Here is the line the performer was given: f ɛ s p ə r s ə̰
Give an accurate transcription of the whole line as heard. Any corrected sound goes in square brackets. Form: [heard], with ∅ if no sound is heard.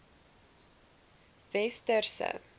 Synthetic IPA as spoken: [v] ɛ s [t] ə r s ə̰